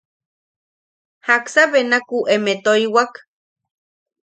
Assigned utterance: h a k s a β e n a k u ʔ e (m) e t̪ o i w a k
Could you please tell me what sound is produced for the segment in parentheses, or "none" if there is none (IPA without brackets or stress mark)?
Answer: m